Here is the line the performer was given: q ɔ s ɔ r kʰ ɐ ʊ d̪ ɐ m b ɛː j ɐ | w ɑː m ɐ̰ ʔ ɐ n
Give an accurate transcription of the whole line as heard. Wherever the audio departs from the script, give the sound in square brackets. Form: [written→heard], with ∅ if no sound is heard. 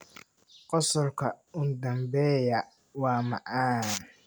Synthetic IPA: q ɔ s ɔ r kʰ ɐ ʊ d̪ ɐ m b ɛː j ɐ | w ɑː m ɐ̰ ʔ [ɐ→a] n